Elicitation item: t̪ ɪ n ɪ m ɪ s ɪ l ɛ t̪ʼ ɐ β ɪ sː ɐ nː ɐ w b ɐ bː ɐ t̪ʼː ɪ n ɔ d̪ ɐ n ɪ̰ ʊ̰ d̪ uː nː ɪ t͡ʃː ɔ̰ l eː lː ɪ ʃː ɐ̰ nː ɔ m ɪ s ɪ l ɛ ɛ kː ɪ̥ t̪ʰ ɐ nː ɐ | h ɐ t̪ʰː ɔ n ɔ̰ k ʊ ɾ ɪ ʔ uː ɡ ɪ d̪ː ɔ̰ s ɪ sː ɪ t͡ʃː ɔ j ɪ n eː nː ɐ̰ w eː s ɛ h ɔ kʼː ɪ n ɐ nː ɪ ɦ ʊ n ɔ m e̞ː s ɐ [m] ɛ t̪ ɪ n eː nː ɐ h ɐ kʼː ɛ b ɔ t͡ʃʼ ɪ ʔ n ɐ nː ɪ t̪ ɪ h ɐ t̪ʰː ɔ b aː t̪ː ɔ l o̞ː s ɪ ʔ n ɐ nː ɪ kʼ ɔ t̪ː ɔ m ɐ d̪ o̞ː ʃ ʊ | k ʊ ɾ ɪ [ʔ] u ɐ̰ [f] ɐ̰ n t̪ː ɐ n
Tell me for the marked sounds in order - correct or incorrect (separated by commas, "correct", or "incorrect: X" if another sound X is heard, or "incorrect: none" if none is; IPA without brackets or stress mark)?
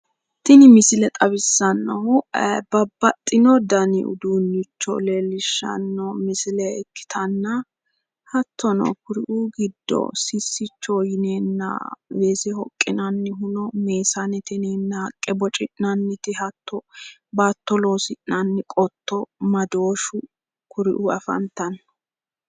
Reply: incorrect: n, correct, correct